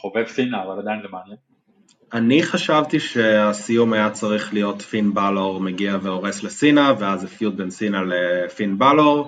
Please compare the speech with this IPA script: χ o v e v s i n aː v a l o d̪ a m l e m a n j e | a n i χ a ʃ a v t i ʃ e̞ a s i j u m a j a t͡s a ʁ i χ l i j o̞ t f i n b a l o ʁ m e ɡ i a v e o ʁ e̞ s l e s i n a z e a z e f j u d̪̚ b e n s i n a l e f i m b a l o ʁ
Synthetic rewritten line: χ o v e v s i n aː v a l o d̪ a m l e m a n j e | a n i χ a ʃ a v t i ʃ e̞ a s i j u m a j a t͡s a ʁ i χ l i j o̞ t f i n b a l o ʁ m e ɡ i a v e o ʁ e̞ s l e s i n a v e a z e f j u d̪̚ b e n s i n a l e f i n b a l o ʁ